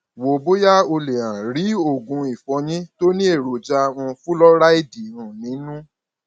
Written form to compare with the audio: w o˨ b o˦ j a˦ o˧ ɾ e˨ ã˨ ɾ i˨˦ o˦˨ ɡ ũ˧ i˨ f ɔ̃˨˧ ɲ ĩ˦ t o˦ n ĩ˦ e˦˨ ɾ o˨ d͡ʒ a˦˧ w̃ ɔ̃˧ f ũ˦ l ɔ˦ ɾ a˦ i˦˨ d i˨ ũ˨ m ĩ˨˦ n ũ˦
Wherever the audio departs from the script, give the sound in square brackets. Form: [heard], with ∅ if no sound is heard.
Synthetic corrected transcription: w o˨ b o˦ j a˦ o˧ [l] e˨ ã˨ ɾ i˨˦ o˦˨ ɡ ũ˧ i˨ f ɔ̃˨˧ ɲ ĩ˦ t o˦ n ĩ˦ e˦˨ ɾ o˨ d͡ʒ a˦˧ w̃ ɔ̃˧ f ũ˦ l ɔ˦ ɾ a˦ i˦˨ d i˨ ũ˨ [n] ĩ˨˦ n ũ˦